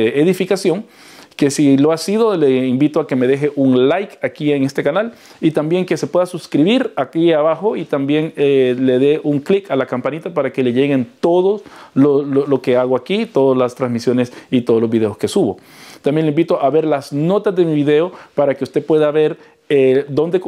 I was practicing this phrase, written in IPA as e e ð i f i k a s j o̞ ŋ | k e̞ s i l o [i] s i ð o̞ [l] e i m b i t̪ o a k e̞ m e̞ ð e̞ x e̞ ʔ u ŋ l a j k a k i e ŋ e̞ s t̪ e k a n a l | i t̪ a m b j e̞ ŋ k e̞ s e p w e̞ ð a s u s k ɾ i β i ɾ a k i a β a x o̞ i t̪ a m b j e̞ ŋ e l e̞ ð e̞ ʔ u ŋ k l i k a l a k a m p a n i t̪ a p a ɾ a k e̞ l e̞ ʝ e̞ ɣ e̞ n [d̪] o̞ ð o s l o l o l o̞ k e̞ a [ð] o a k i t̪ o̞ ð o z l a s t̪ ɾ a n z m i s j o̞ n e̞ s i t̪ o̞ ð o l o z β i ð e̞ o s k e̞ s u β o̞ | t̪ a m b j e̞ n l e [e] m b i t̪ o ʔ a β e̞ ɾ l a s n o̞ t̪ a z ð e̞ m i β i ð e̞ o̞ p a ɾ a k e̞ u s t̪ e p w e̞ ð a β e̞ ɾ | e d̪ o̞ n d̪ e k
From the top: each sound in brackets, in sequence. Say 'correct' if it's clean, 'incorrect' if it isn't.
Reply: incorrect: a, correct, incorrect: t̪, incorrect: ɣ, incorrect: i

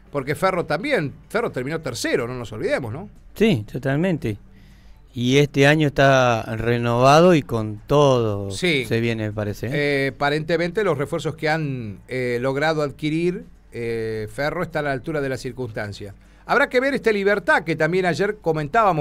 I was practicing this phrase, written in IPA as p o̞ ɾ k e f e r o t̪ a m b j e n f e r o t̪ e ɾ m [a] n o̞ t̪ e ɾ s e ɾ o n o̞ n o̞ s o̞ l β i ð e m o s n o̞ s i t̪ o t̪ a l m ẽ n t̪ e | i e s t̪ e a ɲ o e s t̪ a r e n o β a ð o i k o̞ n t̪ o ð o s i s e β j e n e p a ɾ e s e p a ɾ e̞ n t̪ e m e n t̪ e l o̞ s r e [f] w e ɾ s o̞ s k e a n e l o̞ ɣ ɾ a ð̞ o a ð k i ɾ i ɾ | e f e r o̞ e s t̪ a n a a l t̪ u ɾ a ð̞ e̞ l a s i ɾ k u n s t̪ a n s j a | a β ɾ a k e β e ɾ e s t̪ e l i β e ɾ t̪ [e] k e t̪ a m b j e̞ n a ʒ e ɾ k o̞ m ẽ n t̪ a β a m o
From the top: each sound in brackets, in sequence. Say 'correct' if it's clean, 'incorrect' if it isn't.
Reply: incorrect: i, correct, incorrect: a

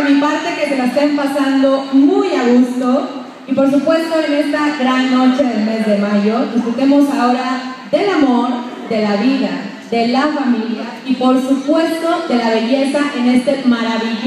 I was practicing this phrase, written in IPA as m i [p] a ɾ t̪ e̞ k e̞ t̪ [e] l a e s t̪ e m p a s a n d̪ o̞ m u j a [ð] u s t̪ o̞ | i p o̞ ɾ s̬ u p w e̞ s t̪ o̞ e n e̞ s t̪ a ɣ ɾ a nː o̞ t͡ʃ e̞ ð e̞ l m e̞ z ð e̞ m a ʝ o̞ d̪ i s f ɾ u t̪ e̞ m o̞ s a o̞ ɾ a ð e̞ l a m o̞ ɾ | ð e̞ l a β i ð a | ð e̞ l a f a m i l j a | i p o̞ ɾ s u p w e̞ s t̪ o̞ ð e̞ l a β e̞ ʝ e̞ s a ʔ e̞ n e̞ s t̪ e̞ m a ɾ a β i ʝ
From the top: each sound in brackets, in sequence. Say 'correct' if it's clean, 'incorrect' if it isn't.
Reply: correct, correct, incorrect: ɣ

